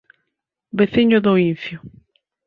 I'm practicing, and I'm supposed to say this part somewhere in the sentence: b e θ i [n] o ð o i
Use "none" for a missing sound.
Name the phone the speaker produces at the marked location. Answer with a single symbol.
ɲ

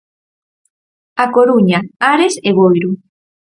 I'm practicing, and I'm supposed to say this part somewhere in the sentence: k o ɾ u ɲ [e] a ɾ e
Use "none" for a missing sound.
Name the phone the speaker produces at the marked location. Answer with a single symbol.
a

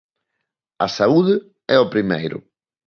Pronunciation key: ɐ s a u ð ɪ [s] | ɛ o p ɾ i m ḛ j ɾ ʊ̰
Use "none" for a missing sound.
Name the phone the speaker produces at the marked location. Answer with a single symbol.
none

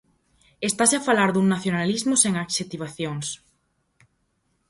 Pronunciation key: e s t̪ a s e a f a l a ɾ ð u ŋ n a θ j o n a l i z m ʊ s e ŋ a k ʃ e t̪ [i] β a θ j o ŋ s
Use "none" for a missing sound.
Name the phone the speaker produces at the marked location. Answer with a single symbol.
i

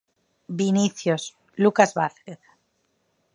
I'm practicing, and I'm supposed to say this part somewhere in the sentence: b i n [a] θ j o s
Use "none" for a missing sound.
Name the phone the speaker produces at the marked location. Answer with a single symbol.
i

